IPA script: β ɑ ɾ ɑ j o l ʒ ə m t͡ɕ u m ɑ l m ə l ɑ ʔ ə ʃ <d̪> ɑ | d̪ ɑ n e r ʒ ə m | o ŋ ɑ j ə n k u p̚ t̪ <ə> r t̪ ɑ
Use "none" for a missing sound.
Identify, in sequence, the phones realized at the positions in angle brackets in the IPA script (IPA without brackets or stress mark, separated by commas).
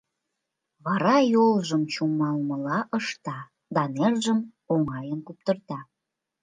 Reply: t̪, ə